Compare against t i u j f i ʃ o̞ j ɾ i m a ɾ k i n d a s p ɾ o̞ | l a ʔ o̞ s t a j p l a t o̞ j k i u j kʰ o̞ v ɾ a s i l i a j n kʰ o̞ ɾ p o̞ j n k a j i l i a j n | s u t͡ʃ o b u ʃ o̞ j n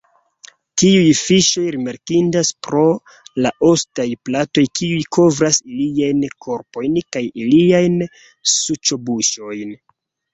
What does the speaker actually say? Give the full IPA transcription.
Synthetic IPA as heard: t i u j f i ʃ o̞ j ɾ i m a ɾ k i n d a s p ɾ o̞ | l a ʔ o̞ s t a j p l a t o̞ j k i u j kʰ o̞ v ɾ a s i l i a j n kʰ o̞ ɾ p o̞ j n k a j i l i a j n | s u t͡ʃ o b u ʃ o̞ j n

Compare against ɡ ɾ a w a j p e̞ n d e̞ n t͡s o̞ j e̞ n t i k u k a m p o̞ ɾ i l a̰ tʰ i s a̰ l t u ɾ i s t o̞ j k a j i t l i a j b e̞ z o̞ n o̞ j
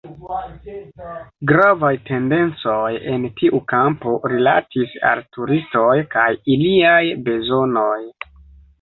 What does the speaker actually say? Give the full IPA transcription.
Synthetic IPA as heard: ɡ ɾ a v a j t e̞ n d e̞ n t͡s o̞ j e̞ n t i ʔ u k a m p o̞ ɾ i l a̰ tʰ i s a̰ l t u ɾ i s t o̞ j k a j i l i a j b e̞ z o̞ n o̞ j

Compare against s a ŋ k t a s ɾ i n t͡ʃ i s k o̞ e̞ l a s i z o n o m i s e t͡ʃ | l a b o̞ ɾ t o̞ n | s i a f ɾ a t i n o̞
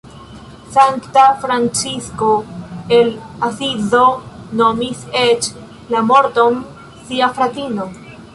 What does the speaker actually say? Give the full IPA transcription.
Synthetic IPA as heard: s a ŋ k t a f ɾ a n t͡ʃ i s k o̞ e̞ l a s i z o n o m i s e t͡ʃ | l a m o̞ ɾ t o̞ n | s i a f ɾ a t i n o̞

